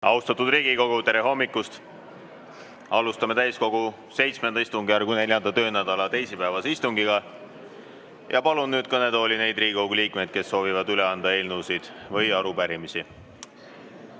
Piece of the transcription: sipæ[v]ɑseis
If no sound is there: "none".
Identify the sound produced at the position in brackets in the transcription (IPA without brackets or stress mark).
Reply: v